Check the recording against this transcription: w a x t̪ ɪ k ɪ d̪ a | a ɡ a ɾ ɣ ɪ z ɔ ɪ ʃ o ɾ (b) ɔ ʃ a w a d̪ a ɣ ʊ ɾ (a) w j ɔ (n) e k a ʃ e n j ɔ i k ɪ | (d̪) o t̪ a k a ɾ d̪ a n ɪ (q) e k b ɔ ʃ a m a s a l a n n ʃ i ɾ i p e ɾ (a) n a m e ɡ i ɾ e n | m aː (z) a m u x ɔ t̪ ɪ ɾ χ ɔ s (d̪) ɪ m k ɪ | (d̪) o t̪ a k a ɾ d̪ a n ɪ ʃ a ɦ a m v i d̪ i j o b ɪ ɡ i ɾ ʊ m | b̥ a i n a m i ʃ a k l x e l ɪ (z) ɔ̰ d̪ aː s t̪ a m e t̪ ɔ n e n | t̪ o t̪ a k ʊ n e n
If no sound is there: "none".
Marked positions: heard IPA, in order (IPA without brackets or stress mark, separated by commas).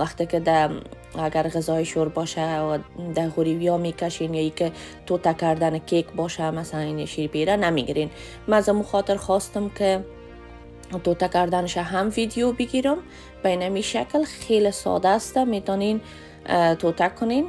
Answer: b, i, m, t̪, k, a, z, t̪, t̪, s